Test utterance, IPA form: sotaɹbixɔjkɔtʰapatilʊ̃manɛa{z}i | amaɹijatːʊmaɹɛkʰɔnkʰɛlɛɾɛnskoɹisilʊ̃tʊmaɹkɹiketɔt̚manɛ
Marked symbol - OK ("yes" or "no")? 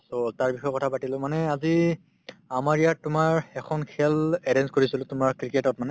yes